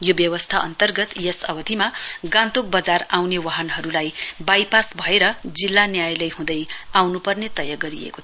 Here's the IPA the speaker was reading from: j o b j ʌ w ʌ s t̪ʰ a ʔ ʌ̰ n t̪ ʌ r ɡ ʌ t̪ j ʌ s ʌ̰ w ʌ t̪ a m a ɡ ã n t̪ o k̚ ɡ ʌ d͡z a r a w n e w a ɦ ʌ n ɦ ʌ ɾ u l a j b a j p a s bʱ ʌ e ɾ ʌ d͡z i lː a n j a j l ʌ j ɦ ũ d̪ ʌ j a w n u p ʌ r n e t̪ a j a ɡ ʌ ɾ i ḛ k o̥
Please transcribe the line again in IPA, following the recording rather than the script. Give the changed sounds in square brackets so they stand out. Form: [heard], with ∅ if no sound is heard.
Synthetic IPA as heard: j o b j ʌ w ʌ s t̪ʰ a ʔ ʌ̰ n t̪ ʌ r ɡ ʌ t̪ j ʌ s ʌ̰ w ʌ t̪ [i] m a ɡ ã n t̪ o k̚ [b] ʌ d͡z a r a w n e w a ɦ ʌ n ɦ ʌ ɾ u l a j b a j p a s bʱ ʌ e ɾ ʌ d͡z i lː a n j a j l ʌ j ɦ ũ d̪ ʌ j a w n u p ʌ r n e t̪ [ʌ] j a ɡ ʌ ɾ i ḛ k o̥